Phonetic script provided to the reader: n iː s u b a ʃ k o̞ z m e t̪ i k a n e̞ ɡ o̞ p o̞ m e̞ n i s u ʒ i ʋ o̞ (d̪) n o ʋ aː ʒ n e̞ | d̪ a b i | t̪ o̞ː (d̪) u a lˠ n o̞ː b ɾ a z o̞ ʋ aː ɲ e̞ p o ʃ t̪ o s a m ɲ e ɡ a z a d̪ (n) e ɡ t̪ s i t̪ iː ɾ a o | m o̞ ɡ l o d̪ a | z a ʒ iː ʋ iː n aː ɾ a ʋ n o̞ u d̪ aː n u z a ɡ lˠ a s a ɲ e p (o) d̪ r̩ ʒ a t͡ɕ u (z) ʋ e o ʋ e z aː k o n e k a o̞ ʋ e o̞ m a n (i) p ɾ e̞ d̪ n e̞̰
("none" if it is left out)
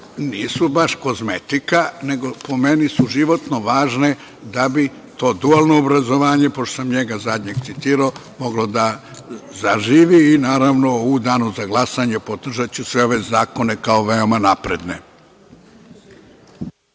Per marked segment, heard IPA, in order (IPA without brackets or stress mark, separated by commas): t̪, d̪, ɲ, o, s, a